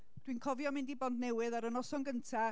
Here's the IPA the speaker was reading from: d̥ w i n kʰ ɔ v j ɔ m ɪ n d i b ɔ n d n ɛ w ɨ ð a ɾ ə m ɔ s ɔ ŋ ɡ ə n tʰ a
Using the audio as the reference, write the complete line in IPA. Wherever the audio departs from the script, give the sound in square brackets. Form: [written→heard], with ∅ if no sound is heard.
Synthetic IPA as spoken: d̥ w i n kʰ ɔ v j ɔ m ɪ n d i b ɔ n d n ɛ w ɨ ð a ɾ ə [m→n] ɔ s ɔ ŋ ɡ ə n tʰ a